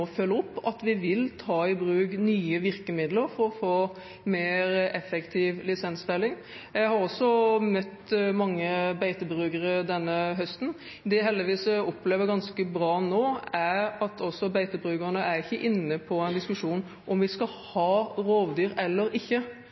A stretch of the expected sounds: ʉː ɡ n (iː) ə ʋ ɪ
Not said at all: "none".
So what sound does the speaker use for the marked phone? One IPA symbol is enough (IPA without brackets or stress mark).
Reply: yː